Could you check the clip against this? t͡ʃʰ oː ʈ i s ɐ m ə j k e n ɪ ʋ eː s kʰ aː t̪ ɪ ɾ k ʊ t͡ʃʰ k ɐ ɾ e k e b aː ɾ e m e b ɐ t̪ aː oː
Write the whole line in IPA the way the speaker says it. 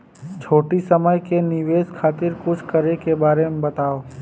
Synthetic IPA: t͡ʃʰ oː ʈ i s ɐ m ə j k e n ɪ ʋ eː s kʰ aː t̪ ɪ ɾ k ʊ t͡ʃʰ k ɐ ɾ e k e b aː ɾ e m e b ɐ t̪ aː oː